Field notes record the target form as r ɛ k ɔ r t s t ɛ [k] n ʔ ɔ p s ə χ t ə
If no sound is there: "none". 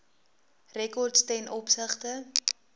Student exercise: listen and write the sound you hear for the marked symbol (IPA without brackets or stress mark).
none